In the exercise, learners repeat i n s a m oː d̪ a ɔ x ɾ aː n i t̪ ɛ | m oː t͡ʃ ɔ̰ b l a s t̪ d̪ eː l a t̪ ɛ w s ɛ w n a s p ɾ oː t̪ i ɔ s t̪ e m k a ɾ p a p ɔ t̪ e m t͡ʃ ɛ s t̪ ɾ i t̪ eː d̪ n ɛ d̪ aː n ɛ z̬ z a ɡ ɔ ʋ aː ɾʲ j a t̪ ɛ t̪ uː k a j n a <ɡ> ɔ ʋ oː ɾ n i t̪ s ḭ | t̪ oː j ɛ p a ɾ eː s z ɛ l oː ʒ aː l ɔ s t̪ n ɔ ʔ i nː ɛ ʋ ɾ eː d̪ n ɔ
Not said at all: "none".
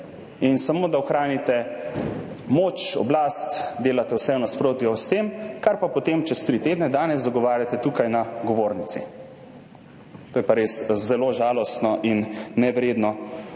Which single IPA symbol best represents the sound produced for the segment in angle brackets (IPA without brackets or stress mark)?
ɡ